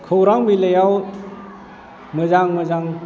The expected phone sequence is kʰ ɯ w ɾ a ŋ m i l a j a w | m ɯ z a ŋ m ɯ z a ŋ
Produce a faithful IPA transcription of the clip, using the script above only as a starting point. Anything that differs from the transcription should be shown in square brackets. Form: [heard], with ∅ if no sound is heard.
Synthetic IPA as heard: kʰ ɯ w ɾ a ŋ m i l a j a w | m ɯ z a ŋ m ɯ z a ŋ